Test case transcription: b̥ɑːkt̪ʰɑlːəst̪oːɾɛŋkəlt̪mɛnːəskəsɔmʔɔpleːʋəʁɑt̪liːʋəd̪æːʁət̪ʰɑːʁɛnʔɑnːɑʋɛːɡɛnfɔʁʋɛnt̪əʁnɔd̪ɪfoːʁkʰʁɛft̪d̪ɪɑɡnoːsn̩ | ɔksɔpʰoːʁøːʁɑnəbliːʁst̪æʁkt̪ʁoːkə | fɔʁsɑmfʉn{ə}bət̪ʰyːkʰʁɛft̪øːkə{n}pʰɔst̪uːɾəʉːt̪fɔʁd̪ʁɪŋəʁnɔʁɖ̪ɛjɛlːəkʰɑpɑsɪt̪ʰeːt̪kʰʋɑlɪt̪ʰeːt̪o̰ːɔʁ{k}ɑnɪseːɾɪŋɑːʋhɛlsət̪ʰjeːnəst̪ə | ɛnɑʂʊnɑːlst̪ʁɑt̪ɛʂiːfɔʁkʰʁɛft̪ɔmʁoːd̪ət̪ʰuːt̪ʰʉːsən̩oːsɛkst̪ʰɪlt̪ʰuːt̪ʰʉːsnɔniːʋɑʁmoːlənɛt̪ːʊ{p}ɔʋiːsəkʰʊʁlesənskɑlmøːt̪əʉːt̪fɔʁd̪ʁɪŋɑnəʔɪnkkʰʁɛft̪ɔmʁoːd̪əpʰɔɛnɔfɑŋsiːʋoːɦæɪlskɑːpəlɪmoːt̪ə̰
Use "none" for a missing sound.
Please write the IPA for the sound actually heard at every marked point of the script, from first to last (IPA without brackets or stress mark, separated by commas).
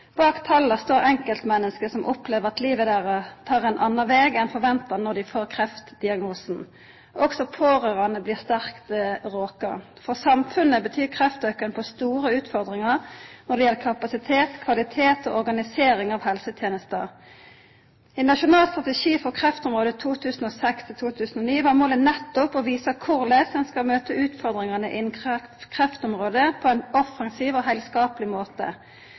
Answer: ə, n, ɡ, p